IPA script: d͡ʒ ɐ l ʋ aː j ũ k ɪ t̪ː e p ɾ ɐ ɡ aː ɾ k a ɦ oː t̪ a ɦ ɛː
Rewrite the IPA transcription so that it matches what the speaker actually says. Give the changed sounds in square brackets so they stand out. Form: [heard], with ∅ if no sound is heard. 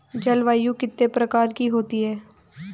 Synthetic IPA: d͡ʒ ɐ l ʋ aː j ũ k ɪ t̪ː e p ɾ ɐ [k] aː ɾ k [i] ɦ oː t̪ [i] ɦ ɛː